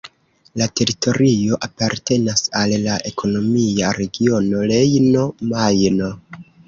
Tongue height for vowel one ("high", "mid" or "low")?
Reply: low